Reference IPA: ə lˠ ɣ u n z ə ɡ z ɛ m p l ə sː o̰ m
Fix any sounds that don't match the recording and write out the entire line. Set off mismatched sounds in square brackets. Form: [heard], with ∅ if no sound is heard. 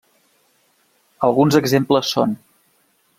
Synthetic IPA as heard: ə lˠ ɣ u n z ə ɡ z [e] m p l ə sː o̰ [n]

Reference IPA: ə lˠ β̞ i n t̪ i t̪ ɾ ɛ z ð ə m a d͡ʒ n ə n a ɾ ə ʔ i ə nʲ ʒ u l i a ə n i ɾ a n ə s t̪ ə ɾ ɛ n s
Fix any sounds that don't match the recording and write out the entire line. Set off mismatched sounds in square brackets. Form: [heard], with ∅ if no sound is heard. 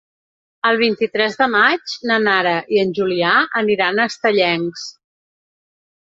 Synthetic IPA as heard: ə lˠ β̞ i n t̪ i t̪ ɾ ɛ z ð ə m a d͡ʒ n ə n a ɾ ə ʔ i ə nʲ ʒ u l i a ə n i ɾ a n ə s t̪ ə [ʎ] ɛ [ŋ] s

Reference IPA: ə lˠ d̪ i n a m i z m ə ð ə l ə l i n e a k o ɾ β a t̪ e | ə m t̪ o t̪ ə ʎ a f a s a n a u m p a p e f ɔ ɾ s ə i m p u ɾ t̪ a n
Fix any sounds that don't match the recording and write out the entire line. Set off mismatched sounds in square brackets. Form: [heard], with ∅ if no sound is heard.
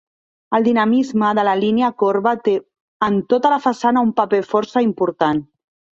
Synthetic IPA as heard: ə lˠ d̪ i n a m i z m ə ð ə l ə l i n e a k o ɾ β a t̪ e | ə [n] t̪ o t̪ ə [l] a f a s a n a u m p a p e f ɔ ɾ s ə i m p u ɾ t̪ a n

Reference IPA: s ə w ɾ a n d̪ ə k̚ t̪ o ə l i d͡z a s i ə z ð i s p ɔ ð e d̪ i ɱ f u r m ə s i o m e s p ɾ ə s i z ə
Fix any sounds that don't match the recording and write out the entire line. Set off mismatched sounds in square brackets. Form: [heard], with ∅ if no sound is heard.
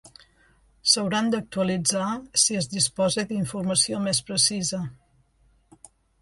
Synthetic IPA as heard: s ə w ɾ a n d̪ ə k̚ t̪ [u] ə l i d͡z a s i ə z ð i s p ɔ [z] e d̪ i ɱ f u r m ə s i o m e s p ɾ ə s i z ə

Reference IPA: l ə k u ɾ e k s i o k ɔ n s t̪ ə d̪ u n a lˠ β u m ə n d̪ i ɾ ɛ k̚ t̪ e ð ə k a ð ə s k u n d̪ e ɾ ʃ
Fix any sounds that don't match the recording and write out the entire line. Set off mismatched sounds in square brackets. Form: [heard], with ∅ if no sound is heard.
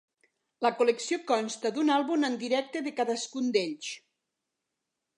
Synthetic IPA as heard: l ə k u [l] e k s i o k ɔ n s t̪ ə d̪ u n a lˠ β u m ə n d̪ i ɾ ɛ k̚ t̪ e ð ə k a ð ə s k u n d̪ e [ʎ] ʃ

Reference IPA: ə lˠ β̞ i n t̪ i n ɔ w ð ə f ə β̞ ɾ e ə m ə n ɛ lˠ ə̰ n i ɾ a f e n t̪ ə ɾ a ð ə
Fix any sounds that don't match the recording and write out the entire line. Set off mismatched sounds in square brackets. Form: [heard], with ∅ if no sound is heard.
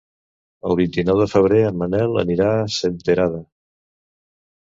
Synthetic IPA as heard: ə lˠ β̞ i n t̪ i n ɔ w ð ə f ə β̞ ɾ e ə m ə n ɛ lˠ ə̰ n i ɾ a [s] e n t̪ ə ɾ a ð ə

